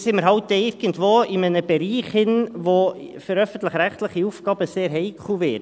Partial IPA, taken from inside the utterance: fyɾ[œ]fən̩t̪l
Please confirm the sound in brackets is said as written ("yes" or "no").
yes